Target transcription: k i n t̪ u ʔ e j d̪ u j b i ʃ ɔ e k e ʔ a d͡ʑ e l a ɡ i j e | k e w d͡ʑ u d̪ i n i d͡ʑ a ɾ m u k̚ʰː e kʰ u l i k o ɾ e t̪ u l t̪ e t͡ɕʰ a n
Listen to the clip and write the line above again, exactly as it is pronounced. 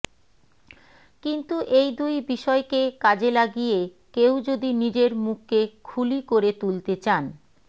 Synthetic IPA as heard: k i n t̪ u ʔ e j d̪ u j b i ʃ ɔ e k e k a d͡ʑ e l a ɡ i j e | k e w d͡ʑ o d̪ i n i d͡ʑ e ɾ m u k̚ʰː e kʰ u l i k o ɾ e t̪ u l t̪ e t͡ɕ a n